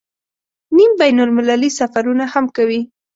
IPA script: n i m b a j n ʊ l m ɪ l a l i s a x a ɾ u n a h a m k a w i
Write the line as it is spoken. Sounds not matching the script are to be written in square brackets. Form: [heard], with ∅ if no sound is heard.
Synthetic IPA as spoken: n i m b a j n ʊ l m ɪ l a l i s a [f] a ɾ u n a h a m k a w i